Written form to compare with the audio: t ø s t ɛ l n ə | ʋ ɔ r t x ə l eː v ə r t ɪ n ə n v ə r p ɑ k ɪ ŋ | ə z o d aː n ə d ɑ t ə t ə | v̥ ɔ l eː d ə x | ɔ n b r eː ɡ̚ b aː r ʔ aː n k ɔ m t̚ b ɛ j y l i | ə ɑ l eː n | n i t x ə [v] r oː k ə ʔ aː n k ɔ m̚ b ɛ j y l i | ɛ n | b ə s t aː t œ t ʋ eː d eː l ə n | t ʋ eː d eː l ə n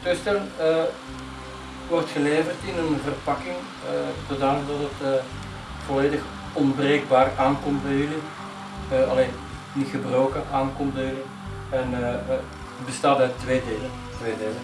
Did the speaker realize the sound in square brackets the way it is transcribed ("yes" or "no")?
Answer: no